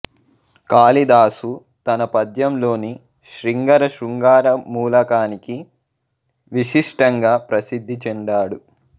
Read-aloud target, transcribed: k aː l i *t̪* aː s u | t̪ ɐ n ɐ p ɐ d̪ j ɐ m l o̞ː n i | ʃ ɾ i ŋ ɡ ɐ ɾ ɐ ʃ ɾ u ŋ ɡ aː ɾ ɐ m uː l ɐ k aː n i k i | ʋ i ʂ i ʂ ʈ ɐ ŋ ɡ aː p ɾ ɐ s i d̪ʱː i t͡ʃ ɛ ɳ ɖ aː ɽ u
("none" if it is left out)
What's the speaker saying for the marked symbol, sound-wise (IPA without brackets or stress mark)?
d̪